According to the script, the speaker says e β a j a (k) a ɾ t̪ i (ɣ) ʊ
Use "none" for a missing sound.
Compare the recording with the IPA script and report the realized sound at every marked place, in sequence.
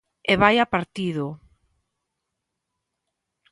p, ð

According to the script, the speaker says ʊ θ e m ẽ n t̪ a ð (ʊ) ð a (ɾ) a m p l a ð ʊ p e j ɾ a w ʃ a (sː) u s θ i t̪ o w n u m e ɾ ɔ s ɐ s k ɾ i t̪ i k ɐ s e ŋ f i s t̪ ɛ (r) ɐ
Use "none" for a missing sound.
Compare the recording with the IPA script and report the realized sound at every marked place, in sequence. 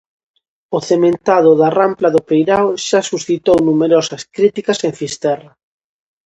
ʊ, r, s, r

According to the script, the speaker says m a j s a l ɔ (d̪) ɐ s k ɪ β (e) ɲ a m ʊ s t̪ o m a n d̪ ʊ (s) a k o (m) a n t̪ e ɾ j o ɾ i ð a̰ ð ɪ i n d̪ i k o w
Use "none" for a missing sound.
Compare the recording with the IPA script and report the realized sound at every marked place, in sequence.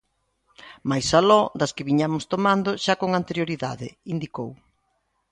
d̪, i, ʃ, ŋ

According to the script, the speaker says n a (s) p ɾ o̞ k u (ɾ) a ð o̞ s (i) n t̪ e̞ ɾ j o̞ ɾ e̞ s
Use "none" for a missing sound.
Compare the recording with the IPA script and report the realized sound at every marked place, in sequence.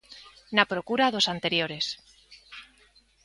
none, ɾ, a

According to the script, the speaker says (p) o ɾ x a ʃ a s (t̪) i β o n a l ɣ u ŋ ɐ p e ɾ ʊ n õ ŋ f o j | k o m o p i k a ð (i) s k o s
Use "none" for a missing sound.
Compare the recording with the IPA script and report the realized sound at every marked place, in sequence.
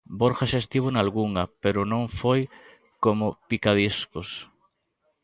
b, t̪, i

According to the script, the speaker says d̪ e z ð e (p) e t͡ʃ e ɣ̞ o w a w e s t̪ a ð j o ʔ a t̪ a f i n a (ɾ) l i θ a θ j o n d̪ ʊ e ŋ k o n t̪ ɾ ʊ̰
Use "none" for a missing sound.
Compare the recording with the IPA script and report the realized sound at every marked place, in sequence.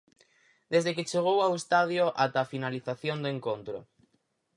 k, none

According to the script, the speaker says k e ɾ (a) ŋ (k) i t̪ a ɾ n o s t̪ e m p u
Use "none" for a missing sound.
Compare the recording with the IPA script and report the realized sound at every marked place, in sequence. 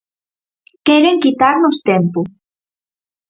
e, k

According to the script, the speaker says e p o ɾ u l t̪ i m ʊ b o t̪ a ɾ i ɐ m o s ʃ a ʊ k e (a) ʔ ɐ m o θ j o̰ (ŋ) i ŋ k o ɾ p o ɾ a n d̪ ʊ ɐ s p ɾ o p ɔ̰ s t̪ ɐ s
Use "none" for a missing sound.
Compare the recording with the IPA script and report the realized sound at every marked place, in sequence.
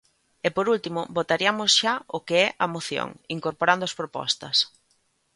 ɛ, ŋ

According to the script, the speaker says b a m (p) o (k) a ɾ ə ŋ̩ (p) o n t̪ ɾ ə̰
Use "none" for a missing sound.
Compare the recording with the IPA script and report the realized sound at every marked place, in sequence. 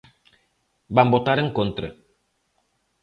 b, t, k

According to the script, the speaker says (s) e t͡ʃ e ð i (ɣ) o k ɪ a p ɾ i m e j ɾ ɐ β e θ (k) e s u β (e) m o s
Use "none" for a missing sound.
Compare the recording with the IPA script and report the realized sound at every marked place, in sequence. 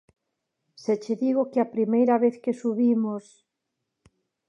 s, ɣ, k, i

